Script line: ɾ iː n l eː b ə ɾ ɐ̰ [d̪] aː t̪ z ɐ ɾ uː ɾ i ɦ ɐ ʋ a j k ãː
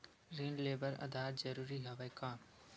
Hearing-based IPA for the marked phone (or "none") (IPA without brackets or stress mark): d̪